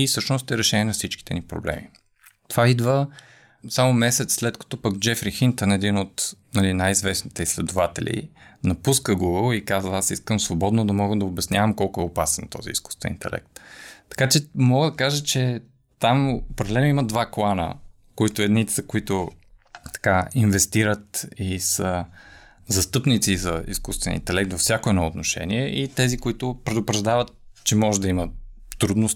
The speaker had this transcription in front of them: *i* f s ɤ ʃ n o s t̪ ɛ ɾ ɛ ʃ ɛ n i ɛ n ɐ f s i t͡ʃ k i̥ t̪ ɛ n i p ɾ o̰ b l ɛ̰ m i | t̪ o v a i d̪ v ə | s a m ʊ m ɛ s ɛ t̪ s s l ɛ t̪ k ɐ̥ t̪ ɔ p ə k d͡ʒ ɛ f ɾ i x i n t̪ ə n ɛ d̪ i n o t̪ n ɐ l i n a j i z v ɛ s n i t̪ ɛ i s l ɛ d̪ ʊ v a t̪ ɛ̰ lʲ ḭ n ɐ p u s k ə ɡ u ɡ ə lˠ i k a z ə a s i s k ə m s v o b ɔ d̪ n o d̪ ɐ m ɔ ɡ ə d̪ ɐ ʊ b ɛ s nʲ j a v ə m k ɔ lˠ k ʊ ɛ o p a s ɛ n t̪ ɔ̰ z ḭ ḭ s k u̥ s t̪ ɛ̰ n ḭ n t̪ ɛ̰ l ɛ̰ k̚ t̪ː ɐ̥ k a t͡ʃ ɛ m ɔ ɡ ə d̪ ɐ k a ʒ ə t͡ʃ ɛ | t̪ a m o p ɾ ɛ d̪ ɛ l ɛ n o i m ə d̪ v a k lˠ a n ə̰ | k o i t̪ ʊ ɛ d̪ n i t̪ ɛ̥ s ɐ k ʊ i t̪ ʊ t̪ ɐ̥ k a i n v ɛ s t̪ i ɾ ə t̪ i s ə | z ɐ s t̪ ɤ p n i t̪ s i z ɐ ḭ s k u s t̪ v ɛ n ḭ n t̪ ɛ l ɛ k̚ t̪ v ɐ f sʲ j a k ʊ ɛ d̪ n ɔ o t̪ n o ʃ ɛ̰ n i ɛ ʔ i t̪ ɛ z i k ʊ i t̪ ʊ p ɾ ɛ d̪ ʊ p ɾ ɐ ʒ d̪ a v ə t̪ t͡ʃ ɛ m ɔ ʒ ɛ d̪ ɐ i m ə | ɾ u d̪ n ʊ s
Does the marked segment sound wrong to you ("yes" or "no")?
no